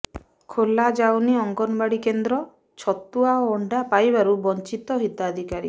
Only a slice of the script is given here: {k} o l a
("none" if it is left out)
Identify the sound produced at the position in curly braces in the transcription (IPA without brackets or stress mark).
kʰ